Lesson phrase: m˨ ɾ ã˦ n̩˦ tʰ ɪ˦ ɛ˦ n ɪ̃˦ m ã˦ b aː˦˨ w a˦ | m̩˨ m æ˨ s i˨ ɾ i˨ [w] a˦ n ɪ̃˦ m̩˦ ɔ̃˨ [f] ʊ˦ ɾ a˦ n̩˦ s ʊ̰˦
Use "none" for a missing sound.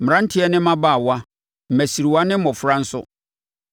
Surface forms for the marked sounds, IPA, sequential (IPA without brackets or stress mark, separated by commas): w, f